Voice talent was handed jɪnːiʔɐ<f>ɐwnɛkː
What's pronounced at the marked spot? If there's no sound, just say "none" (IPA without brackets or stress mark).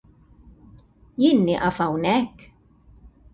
f